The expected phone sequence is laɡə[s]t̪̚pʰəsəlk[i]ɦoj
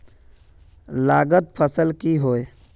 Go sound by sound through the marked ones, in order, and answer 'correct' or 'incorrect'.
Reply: incorrect: none, correct

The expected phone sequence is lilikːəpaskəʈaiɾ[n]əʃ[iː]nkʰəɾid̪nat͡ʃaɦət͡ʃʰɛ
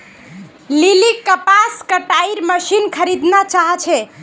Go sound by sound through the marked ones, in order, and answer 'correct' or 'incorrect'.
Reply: incorrect: m, incorrect: i

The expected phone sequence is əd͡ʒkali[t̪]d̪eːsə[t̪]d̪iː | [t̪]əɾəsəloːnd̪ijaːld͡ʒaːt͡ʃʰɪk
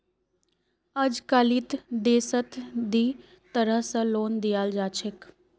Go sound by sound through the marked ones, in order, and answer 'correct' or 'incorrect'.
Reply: correct, correct, correct

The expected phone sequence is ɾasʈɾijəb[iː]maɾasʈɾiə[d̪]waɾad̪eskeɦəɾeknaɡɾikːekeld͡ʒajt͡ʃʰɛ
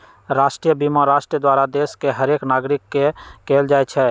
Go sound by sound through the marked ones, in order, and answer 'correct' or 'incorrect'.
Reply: incorrect: i, correct

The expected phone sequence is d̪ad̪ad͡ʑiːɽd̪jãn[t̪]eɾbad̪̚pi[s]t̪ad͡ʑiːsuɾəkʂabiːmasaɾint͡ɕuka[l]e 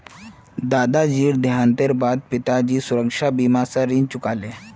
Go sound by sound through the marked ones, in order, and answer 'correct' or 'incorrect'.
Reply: correct, incorrect: none, correct

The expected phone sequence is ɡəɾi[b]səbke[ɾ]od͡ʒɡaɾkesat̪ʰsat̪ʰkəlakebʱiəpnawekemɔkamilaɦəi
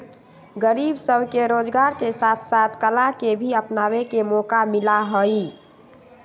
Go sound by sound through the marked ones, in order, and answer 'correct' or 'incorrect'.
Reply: correct, correct

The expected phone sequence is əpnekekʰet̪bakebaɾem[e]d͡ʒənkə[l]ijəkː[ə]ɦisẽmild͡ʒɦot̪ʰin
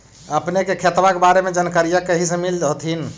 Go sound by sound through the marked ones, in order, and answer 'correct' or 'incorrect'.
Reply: correct, incorrect: ɾ, correct

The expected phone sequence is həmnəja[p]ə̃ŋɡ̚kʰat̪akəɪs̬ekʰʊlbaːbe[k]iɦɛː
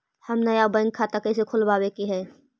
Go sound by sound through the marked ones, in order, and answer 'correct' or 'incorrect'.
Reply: incorrect: b, correct

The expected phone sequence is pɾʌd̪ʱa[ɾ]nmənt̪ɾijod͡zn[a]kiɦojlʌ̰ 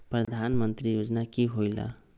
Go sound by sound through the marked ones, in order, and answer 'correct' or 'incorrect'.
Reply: incorrect: none, correct

